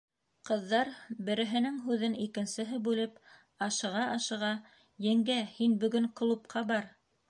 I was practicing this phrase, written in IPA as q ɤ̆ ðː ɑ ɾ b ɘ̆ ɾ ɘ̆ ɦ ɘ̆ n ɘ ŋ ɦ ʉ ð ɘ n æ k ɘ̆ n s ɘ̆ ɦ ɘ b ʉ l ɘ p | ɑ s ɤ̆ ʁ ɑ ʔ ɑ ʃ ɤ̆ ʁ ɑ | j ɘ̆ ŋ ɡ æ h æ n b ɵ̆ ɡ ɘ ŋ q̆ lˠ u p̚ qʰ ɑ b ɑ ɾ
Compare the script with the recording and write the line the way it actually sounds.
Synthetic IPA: q ɤ̆ ðː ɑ ɾ b ɘ̆ ɾ ɘ̆ ɦ ɘ̆ n ɘ ŋ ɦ ʉ ð ɘ n i k ɘ̆ n s ɘ̆ ɦ ɘ b ʉ l ɘ p | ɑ ʃ ɤ̆ ʁ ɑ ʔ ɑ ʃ ɤ̆ ʁ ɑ | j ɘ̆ ŋ ɡ æ h i n b ɵ̆ ɡ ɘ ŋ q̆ lˠ u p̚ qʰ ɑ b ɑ ɾ